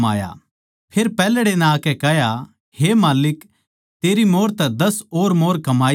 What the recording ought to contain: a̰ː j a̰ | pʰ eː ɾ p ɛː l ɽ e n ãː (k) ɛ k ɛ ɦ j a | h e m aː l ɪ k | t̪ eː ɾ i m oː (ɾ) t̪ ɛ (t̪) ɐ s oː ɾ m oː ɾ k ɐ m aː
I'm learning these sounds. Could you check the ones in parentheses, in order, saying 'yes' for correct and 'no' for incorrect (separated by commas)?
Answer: yes, yes, no